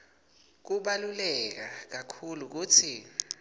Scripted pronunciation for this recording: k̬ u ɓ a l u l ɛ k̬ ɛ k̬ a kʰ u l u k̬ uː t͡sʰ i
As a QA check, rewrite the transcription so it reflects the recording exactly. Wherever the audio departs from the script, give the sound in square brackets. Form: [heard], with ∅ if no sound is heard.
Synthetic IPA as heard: k̬ u ɓ a l u l ɛ k̬ [a] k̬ a kʰ u l u k̬ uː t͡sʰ i